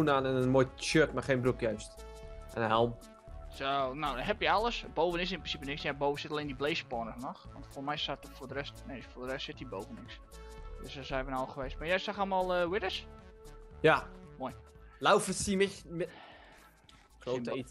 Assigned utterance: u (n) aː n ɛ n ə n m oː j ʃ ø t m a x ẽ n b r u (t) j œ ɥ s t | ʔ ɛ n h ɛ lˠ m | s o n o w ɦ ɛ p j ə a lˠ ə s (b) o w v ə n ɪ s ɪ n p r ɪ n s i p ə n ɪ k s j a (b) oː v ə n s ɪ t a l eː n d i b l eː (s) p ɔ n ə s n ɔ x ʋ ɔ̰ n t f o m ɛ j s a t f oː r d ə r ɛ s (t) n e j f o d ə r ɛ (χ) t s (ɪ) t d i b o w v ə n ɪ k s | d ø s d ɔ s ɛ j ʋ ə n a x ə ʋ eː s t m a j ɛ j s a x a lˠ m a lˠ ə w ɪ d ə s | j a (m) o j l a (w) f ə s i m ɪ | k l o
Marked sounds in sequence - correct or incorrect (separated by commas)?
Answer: correct, incorrect, correct, correct, correct, correct, incorrect, correct, correct, correct